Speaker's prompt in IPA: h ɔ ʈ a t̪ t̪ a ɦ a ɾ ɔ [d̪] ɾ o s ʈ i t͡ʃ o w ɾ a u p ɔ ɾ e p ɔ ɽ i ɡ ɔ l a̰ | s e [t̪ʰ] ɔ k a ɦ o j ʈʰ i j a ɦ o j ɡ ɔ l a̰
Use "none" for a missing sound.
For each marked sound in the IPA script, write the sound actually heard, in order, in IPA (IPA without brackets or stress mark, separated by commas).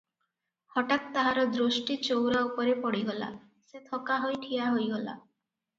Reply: d̪, t̪ʰ